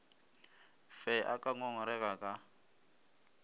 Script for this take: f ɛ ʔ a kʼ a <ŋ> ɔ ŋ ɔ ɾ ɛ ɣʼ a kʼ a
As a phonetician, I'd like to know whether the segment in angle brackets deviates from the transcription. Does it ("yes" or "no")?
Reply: no